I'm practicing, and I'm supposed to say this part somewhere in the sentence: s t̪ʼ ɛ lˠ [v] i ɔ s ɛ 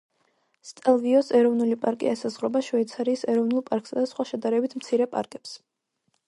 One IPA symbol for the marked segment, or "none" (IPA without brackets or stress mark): v